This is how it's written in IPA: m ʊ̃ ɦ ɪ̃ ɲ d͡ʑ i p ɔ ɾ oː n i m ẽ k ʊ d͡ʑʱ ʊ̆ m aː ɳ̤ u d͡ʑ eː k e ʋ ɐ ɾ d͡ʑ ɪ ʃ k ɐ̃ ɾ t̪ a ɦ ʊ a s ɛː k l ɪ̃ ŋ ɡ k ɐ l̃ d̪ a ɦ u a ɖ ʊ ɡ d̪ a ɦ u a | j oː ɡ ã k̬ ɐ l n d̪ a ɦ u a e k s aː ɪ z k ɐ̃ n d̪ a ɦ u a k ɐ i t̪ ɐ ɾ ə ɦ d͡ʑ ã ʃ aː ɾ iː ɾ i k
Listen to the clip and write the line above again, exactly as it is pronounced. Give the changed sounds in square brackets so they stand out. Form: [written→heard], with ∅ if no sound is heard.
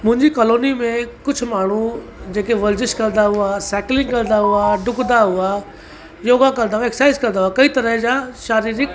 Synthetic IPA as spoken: m ʊ̃ ɦ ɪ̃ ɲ d͡ʑ i [p→k] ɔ [ɾ→l] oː n i m ẽ k ʊ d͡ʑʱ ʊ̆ m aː ɳ̤ u d͡ʑ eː k e ʋ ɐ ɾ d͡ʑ ɪ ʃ k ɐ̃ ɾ [t̪→d̪] a ɦ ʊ a s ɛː k l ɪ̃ ŋ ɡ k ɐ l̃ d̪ a ɦ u a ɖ ʊ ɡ d̪ a ɦ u a | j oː ɡ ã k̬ ɐ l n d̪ a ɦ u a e k s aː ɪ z k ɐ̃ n d̪ a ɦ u a k ɐ i t̪ ɐ ɾ ə ɦ d͡ʑ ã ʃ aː ɾ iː ɾ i k